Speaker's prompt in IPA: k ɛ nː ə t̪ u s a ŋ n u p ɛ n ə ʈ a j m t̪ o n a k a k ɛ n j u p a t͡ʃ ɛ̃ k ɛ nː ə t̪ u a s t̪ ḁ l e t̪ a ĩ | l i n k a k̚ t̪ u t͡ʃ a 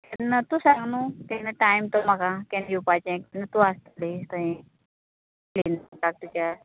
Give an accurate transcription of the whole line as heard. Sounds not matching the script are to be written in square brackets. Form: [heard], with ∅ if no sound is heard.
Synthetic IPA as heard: k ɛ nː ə t̪ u s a ŋ n u [k] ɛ n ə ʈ a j m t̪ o [m] a k a k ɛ n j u p a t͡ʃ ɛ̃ k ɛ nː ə t̪ u a s t̪ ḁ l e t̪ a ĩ | l i n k a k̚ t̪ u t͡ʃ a